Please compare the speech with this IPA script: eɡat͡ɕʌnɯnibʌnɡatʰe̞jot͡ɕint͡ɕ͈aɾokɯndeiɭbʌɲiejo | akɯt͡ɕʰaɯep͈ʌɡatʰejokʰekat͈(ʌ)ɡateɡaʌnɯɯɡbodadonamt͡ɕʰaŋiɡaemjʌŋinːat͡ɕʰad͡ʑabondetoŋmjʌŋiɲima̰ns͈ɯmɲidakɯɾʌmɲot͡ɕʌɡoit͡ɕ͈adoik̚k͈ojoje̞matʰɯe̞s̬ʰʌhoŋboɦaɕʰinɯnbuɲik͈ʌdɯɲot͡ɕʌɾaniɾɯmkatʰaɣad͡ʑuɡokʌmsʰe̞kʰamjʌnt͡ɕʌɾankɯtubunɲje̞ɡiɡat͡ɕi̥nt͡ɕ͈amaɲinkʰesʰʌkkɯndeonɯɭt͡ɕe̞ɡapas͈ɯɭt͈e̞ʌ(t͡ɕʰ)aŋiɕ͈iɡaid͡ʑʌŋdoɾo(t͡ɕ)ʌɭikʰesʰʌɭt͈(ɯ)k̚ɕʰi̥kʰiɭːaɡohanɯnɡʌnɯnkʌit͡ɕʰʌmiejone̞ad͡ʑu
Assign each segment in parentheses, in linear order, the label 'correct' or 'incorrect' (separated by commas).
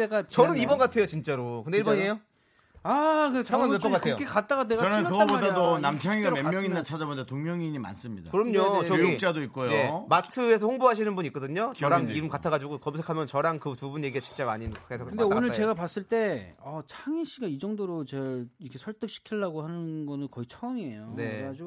incorrect, correct, correct, correct